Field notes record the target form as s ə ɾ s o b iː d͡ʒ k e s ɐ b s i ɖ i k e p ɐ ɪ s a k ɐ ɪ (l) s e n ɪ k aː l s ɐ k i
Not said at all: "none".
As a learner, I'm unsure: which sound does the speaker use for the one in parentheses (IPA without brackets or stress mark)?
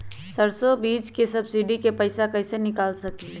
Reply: none